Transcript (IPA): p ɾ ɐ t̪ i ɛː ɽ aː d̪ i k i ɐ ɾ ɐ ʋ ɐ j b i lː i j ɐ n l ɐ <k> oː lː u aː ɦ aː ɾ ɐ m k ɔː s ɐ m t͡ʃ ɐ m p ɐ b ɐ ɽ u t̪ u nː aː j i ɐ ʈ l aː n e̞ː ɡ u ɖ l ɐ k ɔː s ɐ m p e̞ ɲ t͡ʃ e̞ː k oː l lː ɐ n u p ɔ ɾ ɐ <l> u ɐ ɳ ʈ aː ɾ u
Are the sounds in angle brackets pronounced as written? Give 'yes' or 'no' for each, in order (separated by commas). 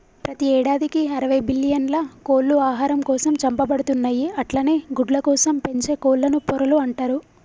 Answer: yes, yes